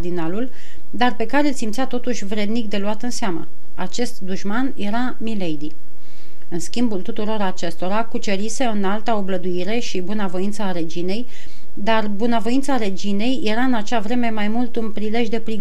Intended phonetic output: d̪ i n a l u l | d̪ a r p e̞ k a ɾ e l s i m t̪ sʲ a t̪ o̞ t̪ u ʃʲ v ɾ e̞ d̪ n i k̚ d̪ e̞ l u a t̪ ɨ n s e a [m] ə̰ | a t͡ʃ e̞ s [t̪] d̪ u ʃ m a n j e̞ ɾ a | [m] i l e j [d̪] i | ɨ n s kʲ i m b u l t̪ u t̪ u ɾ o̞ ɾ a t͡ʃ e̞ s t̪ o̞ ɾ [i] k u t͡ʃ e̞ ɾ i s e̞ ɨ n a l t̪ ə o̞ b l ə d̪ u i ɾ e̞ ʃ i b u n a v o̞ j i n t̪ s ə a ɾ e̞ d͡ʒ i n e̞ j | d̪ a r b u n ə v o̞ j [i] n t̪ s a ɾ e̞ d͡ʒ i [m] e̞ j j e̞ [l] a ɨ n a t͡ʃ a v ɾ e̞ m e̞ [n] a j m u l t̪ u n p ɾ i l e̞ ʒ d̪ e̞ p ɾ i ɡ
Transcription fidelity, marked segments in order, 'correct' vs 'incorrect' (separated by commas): correct, correct, correct, correct, incorrect, correct, incorrect, incorrect, incorrect